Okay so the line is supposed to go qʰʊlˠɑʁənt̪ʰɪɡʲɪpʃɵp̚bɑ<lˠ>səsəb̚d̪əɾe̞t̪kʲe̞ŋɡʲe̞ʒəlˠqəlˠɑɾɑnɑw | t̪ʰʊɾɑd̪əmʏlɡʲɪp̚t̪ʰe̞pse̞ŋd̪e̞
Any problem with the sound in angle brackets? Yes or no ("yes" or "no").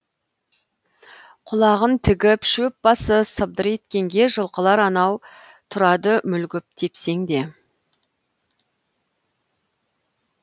yes